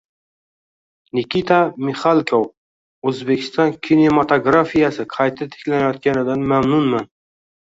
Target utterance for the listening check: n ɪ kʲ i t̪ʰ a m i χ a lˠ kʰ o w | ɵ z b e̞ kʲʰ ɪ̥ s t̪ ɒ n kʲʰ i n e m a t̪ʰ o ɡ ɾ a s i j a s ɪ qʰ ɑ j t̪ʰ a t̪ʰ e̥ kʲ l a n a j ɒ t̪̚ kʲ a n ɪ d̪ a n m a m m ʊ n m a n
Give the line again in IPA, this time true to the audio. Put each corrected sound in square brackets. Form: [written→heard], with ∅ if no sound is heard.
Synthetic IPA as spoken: n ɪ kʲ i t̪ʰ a m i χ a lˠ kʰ o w | ɵ z b e̞ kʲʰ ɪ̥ s t̪ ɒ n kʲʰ i n e m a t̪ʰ o ɡ ɾ a [s→f] i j a s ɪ qʰ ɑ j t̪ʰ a t̪ʰ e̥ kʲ l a n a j ɒ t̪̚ kʲ a n ɪ d̪ a n m a m [m→n] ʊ n m a n

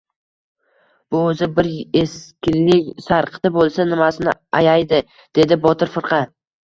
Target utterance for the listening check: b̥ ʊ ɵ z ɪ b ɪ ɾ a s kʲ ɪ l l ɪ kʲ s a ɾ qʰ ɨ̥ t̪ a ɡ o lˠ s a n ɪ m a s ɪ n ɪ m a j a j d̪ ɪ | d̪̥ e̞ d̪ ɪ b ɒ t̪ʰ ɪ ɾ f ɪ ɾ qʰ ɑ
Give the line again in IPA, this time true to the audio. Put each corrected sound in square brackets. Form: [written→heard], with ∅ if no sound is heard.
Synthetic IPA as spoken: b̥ ʊ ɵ z ɪ b ɪ ɾ [a→e] s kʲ ɪ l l ɪ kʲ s a ɾ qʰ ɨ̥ t̪ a [ɡ→b] o lˠ s a n ɪ m a s ɪ n ɪ [m→∅] a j a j d̪ ɪ | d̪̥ e̞ d̪ ɪ b ɒ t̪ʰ ɪ ɾ f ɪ ɾ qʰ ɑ

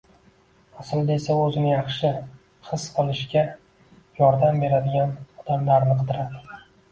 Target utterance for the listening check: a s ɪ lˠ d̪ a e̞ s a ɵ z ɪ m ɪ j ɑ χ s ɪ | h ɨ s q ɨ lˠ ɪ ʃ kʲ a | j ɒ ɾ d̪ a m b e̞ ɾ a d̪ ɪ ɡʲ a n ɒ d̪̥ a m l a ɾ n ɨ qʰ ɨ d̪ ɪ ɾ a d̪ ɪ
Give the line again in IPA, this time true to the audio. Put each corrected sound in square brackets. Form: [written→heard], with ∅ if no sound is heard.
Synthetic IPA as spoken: a s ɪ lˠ d̪ a e̞ s a ɵ z ɪ [m→n] ɪ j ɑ χ [s→ʃ] ɪ | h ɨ s q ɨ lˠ ɪ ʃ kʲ a | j ɒ ɾ d̪ a m b e̞ ɾ a d̪ ɪ ɡʲ a n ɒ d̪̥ a m l a ɾ n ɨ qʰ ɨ d̪ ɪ ɾ a d̪ ɪ

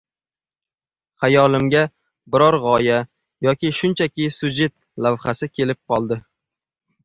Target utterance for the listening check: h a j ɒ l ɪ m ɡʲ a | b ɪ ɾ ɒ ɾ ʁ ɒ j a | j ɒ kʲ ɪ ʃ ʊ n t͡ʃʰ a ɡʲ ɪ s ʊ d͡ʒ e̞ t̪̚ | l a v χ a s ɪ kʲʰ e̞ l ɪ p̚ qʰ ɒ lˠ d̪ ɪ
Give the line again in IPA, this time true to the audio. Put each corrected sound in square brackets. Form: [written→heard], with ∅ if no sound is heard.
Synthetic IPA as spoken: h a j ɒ l ɪ m ɡʲ a | b ɪ ɾ ɒ ɾ ʁ ɒ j a | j ɒ kʲ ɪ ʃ ʊ n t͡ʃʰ a [ɡʲ→kʲ] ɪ s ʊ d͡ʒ e̞ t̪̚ | l a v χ a s ɪ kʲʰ e̞ l ɪ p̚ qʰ ɒ lˠ d̪ ɪ

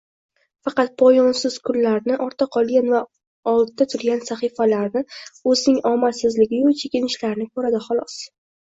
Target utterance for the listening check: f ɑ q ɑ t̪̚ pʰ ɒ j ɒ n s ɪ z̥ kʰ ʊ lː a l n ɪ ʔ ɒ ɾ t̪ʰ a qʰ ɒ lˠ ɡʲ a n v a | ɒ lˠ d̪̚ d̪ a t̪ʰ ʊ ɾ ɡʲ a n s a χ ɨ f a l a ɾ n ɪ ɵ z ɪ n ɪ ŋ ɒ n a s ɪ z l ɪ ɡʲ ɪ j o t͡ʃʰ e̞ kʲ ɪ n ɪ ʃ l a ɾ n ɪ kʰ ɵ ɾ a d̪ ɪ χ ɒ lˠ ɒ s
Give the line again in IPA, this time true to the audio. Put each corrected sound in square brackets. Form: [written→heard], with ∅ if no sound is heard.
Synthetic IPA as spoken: f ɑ q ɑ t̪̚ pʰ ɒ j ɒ n s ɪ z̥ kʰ ʊ lː a [l→ɾ] n ɪ ʔ ɒ ɾ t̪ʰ a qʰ ɒ lˠ ɡʲ a n v a | ɒ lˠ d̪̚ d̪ a t̪ʰ ʊ ɾ ɡʲ a n s a χ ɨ f a l a ɾ n ɪ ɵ z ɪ n ɪ ŋ ɒ [n→m] a s ɪ z l ɪ ɡʲ ɪ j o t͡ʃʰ e̞ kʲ ɪ n ɪ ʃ l a ɾ n ɪ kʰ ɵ ɾ a d̪ ɪ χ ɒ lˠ ɒ s

